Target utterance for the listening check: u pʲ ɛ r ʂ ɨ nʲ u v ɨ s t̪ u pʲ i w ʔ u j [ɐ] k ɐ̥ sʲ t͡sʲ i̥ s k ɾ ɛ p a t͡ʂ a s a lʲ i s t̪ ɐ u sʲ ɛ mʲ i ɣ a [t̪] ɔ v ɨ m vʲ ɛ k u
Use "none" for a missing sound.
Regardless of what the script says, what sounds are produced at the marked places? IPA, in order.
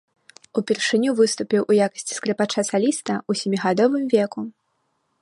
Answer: a, d̪

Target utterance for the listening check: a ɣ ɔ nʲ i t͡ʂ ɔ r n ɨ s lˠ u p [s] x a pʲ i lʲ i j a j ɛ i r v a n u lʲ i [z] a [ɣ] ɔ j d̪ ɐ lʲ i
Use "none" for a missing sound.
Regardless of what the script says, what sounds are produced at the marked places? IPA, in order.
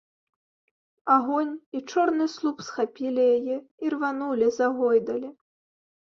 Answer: s, z, ɣ

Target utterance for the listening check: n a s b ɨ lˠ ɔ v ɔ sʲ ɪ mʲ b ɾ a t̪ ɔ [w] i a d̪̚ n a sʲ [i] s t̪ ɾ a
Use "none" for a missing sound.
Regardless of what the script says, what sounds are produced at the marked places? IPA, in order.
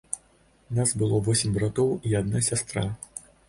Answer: w, a

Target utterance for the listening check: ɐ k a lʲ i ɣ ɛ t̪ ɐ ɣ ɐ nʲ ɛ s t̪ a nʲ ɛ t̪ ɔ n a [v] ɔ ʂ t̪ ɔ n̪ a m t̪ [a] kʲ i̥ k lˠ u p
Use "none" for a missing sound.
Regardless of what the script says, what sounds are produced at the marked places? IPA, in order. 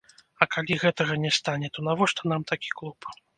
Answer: v, a

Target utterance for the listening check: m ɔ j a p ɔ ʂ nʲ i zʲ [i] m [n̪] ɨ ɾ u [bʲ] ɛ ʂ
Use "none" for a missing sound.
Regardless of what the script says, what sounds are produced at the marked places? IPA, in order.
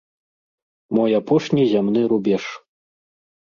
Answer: a, n̪, bʲ

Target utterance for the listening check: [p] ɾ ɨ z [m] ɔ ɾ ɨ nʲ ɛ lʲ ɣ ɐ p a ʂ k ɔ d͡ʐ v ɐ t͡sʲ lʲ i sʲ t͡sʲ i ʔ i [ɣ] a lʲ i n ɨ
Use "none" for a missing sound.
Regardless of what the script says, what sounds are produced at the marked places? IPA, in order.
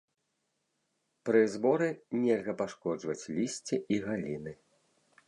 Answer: p, b, ɣ

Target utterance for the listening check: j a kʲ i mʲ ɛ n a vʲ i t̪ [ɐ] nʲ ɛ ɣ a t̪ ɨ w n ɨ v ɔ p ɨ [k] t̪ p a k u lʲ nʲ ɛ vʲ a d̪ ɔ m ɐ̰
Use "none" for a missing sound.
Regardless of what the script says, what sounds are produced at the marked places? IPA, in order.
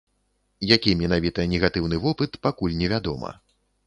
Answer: ɐ, none

